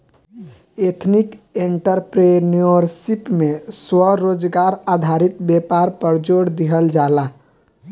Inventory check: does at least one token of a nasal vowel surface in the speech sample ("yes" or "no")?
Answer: no